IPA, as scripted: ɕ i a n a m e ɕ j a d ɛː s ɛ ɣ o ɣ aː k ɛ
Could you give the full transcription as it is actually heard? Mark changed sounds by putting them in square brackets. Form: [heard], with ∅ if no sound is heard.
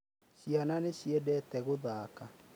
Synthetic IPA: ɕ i a n a [n] e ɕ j [ɛ] d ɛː [t] ɛ ɣ o [ð] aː k [a]